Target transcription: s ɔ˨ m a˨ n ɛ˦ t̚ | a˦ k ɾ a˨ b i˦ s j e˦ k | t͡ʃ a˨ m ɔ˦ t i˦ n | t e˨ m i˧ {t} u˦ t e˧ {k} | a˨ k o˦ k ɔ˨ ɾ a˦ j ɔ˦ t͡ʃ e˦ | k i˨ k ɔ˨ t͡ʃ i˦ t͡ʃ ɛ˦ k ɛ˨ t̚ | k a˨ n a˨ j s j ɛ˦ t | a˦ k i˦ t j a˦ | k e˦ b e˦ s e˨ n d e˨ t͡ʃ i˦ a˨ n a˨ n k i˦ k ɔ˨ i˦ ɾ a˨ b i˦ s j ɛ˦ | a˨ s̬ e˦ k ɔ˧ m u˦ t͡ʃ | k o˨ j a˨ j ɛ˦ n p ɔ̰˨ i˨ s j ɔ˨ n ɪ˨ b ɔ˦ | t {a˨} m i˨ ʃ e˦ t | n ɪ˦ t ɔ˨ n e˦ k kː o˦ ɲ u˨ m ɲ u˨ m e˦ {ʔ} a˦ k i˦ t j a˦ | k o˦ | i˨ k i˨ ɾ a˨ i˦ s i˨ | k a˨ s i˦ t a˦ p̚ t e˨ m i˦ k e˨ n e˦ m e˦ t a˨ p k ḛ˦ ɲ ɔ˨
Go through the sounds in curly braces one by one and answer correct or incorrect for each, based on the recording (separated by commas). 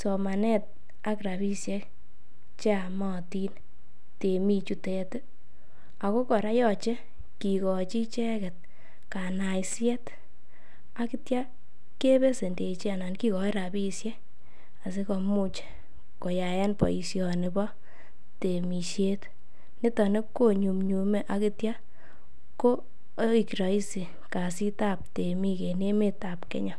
incorrect, incorrect, incorrect, correct